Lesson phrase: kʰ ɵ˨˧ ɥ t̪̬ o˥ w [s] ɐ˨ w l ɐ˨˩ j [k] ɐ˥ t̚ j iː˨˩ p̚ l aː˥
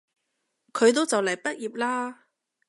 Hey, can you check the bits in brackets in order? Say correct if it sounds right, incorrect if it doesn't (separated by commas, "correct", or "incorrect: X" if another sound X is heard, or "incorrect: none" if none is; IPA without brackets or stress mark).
incorrect: t͡s, incorrect: p